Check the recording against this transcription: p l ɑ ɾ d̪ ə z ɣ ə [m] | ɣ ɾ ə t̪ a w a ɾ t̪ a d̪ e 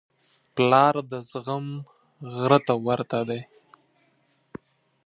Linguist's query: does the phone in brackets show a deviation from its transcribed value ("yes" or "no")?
no